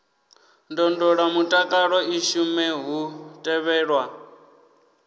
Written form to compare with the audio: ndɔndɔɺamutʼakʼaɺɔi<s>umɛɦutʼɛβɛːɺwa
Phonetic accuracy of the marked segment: incorrect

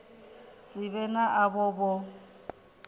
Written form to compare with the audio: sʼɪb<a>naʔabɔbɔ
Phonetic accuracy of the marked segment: incorrect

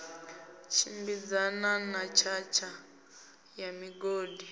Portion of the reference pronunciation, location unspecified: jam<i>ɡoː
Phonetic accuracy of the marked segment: correct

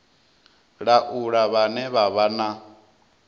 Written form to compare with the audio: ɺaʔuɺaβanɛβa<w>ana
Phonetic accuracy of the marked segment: incorrect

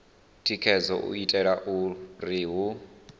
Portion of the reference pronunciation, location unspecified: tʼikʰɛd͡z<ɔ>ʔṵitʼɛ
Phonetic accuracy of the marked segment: correct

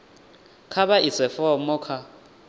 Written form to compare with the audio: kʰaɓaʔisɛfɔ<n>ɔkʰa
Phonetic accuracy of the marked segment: incorrect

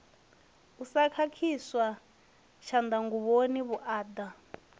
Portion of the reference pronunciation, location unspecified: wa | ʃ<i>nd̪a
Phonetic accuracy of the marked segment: incorrect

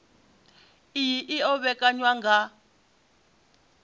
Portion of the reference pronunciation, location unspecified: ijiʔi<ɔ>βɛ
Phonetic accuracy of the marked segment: correct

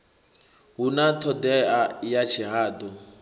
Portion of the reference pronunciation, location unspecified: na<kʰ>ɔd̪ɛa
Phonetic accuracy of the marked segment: incorrect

